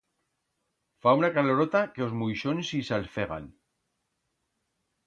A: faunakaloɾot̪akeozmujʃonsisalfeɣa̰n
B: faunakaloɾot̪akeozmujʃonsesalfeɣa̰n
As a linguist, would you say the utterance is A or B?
A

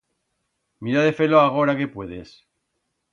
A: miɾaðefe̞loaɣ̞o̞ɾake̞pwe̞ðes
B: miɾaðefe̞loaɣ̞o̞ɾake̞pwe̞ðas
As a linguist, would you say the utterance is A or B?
A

